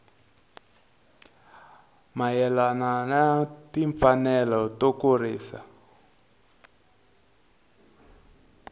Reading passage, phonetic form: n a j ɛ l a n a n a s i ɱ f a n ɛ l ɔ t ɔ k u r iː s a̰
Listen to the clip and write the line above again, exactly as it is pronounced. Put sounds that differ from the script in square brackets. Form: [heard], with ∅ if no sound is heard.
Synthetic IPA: [m] a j ɛ l a n a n a [t] i ɱ f a n ɛ l ɔ t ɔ k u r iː s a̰